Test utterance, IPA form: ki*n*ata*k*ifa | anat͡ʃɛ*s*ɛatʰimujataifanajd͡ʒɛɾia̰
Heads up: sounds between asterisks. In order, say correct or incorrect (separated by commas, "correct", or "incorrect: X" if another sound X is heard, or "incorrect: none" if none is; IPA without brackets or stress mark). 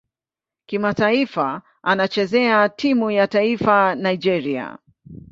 incorrect: m, incorrect: none, incorrect: z